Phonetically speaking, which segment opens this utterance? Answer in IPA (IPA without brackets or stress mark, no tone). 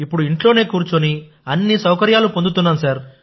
i